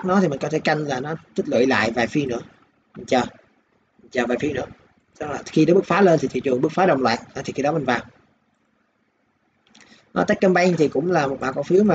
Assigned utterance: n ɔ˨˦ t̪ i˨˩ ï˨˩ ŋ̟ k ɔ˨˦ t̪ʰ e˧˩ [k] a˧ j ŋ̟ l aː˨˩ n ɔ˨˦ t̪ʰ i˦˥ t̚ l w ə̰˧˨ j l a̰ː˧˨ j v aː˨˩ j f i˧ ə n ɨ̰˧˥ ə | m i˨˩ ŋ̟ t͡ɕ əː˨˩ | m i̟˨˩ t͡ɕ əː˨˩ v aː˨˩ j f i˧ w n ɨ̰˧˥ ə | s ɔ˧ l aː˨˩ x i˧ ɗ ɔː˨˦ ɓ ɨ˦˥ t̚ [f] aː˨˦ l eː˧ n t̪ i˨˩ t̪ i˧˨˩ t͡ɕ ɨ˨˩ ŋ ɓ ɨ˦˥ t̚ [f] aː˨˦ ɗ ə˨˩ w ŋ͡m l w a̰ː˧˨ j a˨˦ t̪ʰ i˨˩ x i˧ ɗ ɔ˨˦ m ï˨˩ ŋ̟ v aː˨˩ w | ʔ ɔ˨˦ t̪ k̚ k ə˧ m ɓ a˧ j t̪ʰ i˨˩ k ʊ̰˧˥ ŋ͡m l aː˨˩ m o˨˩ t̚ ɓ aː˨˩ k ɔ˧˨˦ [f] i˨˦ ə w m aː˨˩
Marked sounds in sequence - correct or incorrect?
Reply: correct, correct, correct, correct

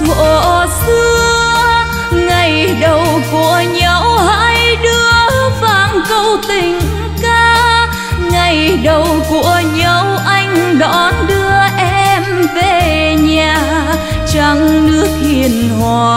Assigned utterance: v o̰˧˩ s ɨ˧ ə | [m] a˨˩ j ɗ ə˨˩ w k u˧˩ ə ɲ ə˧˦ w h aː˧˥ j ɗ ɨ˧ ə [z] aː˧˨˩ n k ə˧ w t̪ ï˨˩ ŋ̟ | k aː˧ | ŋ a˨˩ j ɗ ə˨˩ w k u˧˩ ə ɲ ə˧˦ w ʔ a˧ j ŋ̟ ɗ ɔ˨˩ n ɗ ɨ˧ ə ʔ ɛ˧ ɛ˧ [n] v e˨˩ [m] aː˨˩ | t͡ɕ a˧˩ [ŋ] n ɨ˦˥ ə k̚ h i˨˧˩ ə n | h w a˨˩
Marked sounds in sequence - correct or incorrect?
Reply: incorrect: ŋ, incorrect: v, incorrect: m, incorrect: ɲ, correct

